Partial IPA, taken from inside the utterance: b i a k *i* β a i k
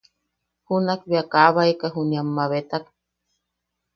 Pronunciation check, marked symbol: incorrect: a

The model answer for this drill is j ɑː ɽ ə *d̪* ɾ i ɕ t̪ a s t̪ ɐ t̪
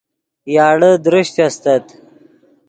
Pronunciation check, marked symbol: correct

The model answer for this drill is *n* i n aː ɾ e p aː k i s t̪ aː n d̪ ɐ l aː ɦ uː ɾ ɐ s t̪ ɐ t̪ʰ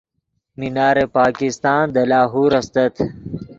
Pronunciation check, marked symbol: incorrect: m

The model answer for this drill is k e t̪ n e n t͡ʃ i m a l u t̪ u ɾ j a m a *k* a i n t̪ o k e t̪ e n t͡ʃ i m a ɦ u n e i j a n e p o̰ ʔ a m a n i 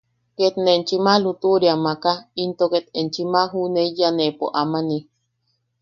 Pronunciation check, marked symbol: correct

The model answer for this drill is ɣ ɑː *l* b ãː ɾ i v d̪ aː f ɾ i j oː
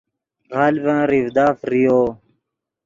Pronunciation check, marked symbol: correct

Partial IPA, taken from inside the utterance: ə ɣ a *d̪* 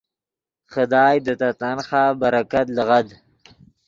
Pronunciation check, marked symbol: correct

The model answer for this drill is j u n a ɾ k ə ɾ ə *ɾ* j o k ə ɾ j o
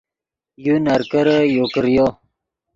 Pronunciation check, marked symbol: incorrect: none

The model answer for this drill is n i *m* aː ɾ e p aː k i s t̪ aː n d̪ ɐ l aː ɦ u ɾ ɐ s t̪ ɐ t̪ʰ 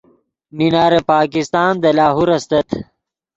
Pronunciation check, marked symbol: incorrect: n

